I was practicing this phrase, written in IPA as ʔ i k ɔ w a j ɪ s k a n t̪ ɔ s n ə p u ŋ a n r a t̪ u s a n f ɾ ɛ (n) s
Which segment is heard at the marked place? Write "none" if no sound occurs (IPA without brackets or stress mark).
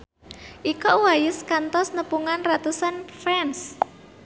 n